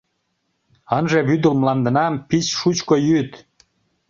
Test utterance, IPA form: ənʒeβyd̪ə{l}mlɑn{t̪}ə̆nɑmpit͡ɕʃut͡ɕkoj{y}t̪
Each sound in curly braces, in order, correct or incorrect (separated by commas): correct, incorrect, correct